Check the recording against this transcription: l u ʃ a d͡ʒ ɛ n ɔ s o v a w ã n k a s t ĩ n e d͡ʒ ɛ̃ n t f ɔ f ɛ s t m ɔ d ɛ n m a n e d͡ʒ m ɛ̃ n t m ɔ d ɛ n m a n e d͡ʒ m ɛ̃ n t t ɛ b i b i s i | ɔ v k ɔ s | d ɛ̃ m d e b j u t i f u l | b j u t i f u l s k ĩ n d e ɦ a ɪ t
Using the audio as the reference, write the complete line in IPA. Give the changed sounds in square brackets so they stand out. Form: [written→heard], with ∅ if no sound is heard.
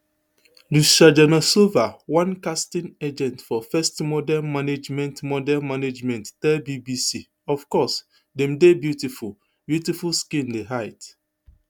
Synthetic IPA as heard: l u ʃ a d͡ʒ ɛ n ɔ s o v a w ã n k a s t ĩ n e d͡ʒ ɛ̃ n t f ɔ f ɛ s t m ɔ d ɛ n m a n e d͡ʒ m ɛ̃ n t m ɔ d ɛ n m a n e d͡ʒ m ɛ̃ n t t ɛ b i b i s i | ɔ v k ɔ s | d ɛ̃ m d e b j u t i f u l | b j u t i f u l s k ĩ n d e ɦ a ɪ t